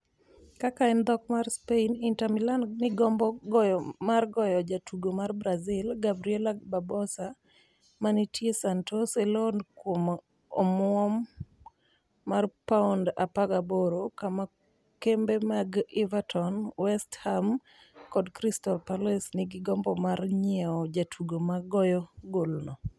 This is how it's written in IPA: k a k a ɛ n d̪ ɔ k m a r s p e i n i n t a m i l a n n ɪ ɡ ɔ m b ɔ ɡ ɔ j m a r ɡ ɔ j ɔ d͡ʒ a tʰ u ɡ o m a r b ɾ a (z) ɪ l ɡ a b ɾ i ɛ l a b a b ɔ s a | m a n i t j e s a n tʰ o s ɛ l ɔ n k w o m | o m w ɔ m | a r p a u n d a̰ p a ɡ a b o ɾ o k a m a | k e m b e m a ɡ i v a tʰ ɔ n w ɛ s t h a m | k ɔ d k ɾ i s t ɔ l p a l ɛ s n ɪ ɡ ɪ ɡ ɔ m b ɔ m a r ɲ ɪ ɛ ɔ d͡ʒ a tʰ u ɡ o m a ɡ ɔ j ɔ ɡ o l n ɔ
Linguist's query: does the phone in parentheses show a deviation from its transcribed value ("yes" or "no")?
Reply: no